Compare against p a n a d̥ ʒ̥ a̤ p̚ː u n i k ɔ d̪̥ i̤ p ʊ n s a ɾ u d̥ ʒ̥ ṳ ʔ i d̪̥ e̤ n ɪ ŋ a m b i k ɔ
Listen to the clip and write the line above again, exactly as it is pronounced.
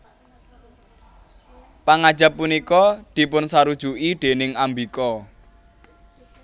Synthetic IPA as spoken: p a ŋ a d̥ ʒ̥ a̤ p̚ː u n i k ɔ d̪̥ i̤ p ʊ n s a ɾ u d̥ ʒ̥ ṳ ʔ i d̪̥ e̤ n ɪ ŋ a m b i k ɔ